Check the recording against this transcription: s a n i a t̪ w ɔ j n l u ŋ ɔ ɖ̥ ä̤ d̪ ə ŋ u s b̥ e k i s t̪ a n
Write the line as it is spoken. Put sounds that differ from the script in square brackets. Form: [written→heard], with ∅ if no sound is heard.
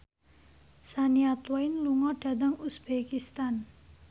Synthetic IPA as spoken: s a n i a t̪ w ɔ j n l u ŋ ɔ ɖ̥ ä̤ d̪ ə ŋ u s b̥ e k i s t̪ a n